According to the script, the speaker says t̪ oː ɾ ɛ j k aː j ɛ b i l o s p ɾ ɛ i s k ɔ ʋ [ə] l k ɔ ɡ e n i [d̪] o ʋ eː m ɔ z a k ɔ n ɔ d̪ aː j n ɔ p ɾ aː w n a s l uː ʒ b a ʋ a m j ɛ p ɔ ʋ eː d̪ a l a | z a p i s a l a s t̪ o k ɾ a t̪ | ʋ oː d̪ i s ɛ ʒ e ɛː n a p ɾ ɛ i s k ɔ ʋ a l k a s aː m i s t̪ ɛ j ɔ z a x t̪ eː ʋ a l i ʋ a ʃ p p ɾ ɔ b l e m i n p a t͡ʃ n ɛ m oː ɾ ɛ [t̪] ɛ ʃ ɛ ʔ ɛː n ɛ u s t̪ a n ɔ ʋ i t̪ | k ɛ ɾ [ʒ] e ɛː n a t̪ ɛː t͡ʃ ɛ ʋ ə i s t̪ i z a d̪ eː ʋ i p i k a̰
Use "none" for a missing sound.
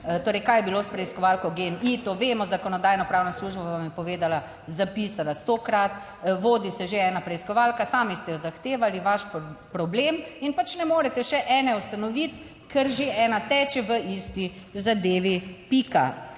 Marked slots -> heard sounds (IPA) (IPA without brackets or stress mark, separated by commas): a, t̪, t̪, ʒ